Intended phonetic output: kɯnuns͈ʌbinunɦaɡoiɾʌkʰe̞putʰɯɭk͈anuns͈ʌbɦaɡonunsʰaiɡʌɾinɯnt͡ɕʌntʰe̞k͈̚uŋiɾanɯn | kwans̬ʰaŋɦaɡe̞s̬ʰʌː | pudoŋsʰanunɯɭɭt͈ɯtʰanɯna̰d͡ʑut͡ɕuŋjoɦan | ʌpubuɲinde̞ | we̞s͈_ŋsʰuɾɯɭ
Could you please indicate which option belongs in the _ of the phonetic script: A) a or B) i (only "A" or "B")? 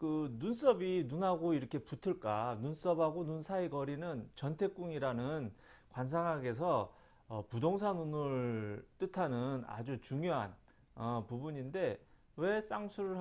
A